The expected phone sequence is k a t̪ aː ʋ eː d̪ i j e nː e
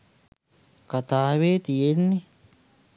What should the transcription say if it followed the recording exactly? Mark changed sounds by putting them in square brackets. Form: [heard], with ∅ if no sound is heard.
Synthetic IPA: k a t̪ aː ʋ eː [t̪] i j e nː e